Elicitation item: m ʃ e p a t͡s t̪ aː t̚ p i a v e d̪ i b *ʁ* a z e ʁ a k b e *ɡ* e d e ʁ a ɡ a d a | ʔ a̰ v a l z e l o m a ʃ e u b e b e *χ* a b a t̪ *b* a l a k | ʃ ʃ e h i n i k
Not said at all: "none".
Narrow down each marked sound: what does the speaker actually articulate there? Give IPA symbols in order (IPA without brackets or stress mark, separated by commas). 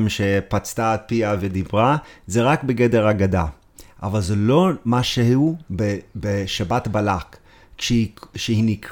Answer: ʁ, ɡ, ʃ, b